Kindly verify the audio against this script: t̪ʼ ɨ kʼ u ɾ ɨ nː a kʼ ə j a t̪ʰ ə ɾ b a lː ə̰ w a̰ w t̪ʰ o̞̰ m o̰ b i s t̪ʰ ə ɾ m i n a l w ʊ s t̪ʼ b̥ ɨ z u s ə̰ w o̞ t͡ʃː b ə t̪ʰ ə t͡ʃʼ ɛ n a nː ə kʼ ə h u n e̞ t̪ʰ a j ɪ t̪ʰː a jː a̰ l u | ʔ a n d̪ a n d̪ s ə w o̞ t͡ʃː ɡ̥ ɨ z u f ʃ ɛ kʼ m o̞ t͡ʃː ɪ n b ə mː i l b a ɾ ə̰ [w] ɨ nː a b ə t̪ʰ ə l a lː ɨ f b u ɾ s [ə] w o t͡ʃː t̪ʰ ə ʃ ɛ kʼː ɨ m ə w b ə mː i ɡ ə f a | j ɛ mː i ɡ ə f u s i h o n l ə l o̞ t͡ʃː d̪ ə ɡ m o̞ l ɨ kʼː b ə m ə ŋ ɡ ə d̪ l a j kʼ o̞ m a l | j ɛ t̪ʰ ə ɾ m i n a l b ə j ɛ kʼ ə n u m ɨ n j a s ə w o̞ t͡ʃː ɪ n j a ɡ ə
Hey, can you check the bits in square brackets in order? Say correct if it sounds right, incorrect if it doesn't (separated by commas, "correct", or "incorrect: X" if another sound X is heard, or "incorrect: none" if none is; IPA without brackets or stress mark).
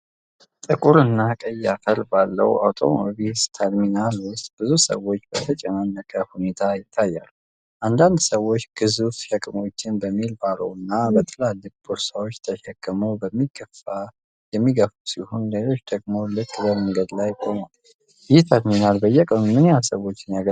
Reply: correct, incorrect: a